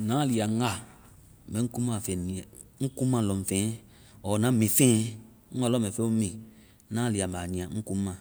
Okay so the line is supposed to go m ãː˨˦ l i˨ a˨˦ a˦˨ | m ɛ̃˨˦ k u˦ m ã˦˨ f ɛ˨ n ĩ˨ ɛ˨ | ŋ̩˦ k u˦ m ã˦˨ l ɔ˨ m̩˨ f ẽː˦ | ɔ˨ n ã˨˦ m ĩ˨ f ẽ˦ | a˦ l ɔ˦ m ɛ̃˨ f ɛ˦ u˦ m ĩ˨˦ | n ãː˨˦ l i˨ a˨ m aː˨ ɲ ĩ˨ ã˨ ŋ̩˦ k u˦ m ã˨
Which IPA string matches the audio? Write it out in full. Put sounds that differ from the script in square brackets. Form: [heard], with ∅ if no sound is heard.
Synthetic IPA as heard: [n] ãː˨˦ l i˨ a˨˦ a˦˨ | m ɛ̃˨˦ k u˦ m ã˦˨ f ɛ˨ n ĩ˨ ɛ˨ | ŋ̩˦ k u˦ m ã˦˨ l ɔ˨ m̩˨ f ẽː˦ | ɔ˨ n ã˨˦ m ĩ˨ f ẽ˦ | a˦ l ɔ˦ m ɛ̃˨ f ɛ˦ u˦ m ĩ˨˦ | n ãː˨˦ l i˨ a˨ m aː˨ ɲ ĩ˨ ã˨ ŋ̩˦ k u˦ m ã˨